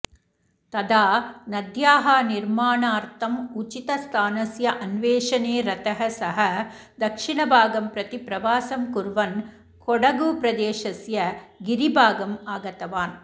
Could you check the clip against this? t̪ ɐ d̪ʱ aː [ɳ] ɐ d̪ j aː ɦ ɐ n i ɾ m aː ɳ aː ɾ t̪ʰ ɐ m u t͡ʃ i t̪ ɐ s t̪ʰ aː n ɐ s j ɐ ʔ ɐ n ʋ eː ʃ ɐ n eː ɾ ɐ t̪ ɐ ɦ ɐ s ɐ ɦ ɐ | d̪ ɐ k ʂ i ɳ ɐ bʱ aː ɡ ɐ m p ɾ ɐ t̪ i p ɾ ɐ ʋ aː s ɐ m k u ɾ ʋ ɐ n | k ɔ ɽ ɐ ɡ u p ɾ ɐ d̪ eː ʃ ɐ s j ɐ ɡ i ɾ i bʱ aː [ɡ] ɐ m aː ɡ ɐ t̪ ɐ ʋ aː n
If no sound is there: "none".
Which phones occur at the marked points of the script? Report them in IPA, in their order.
n, ɡ

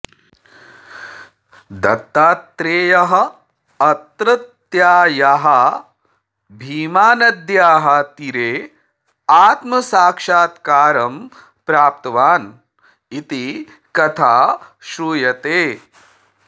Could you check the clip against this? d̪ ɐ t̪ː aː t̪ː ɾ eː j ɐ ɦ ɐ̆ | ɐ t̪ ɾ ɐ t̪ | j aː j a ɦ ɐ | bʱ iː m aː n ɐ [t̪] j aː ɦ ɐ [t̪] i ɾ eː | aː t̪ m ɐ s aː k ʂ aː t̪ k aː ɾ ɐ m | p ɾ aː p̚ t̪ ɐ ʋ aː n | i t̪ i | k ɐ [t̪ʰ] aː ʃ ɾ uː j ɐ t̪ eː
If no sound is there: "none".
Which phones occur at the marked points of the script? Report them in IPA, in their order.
d̪, t̪, t̪ʰ

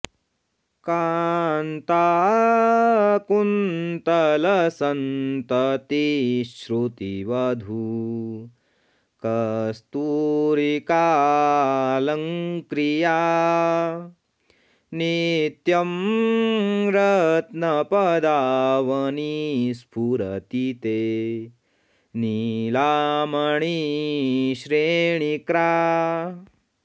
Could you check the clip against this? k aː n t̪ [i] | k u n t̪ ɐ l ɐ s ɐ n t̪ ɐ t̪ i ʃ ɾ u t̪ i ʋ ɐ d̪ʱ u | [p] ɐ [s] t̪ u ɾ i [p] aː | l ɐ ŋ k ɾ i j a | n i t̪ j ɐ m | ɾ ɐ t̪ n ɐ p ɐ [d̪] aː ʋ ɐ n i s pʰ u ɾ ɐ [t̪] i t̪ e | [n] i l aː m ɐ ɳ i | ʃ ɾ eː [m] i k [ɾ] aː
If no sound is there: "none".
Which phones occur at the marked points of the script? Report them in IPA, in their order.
a, k, s, k, d̪, t̪, n, ɳ, ɾ

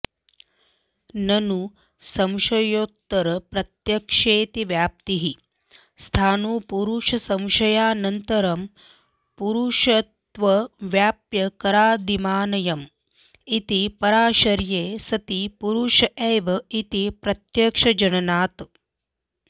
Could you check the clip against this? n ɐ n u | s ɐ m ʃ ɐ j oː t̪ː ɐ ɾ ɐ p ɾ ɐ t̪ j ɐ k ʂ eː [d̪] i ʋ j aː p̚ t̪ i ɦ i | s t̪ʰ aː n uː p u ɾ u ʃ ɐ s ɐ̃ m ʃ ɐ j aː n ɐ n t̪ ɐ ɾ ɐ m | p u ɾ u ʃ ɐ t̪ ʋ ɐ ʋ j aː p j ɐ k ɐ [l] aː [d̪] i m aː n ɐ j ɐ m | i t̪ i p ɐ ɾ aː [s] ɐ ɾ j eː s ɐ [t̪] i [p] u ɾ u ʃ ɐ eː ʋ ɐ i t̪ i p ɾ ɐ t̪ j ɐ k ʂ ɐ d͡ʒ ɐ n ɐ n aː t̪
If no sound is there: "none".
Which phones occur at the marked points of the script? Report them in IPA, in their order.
t̪, ɾ, d̪, ʃ, t̪, p

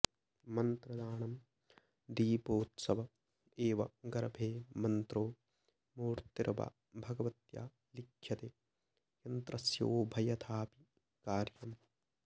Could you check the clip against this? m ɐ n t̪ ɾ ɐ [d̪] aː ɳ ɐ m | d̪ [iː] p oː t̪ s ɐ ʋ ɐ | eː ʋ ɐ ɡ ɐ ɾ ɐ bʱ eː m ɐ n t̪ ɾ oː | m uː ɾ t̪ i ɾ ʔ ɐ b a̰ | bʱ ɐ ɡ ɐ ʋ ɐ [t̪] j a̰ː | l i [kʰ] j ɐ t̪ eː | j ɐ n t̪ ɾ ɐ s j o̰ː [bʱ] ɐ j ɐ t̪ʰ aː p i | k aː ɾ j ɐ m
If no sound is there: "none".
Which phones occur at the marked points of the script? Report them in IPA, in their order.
d̪, iː, t̪, kʰ, bʱ

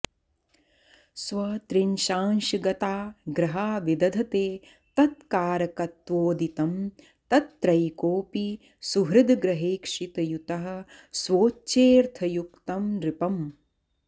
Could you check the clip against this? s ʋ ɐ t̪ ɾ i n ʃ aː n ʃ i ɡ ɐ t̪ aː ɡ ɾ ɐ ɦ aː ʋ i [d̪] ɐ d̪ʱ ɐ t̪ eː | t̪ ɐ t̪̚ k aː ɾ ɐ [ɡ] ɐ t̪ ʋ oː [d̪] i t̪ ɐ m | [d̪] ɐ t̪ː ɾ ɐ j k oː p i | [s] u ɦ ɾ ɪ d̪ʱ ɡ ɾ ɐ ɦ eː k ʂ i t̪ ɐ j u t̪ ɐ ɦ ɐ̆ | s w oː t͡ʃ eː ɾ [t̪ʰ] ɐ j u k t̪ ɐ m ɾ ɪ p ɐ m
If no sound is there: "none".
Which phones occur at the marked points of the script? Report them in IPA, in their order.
d̪, k, d̪, t̪, s, t̪ʰ

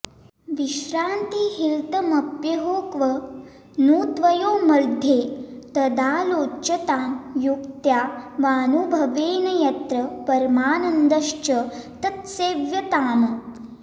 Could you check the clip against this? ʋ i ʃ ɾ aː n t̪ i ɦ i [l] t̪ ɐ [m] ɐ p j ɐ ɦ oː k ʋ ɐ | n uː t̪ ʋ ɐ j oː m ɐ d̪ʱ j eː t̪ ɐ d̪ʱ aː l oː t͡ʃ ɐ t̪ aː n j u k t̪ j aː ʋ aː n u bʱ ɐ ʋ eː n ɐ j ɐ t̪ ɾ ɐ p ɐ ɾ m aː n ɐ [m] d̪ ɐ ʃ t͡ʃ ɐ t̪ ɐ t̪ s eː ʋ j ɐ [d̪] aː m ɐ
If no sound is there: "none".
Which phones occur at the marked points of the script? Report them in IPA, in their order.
l, m, n, t̪

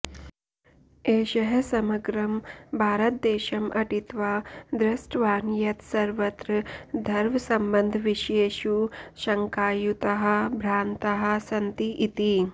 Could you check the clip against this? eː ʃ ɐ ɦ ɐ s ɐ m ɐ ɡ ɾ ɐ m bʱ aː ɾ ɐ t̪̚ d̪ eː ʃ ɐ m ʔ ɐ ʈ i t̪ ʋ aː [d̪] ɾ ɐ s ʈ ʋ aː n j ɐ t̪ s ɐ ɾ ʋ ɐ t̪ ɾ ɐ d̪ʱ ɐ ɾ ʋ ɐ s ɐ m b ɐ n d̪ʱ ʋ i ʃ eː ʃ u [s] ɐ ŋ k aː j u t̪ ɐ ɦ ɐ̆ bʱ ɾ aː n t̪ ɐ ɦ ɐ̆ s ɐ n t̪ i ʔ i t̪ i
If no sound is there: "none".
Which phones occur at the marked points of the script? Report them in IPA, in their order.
d̪, ʃ

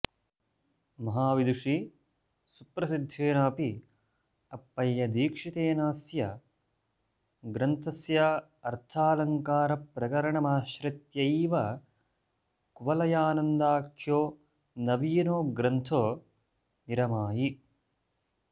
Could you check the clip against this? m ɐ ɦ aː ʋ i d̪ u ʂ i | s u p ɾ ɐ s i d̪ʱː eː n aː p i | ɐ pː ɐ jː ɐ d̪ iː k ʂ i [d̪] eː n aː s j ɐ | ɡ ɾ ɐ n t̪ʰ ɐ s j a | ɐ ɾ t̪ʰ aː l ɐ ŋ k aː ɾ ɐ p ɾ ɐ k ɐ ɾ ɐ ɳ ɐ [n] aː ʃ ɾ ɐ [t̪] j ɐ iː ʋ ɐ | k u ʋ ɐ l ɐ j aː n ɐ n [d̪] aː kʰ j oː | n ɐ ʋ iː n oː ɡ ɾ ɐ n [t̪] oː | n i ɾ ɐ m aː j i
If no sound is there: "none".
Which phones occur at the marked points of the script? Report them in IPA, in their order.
t̪, m, t̪, d̪, t̪ʰ

